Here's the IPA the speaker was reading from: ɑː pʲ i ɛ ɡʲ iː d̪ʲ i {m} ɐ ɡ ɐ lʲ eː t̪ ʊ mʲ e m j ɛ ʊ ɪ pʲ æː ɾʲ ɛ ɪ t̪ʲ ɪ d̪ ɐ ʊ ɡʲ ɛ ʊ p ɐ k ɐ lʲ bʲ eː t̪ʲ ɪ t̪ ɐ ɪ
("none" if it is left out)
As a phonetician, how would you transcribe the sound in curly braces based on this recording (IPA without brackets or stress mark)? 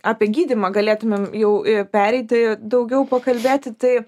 m